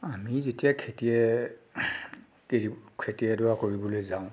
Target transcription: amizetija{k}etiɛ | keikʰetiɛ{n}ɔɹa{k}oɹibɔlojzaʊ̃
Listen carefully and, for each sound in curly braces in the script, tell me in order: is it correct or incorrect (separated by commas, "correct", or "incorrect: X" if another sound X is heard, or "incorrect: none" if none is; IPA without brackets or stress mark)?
incorrect: kʰ, incorrect: d, correct